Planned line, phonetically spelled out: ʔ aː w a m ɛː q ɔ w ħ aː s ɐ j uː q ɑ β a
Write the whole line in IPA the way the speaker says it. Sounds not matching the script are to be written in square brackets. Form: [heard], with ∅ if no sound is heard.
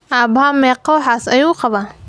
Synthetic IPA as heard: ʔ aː [b] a m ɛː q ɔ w ħ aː s ɐ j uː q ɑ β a